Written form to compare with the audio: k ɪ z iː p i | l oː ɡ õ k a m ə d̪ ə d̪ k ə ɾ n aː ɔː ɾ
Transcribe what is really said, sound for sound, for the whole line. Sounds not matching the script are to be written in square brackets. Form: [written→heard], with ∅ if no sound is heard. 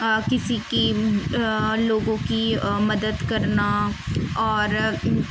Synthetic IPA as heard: k ɪ [z→s] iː [p→k] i | l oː ɡ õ k [a→i] m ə d̪ ə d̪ k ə ɾ n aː ɔː ɾ